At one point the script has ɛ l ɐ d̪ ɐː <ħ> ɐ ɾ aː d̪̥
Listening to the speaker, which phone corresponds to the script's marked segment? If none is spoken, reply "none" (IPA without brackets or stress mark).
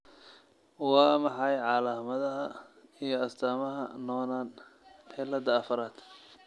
f